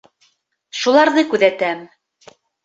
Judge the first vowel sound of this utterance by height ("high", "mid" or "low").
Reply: high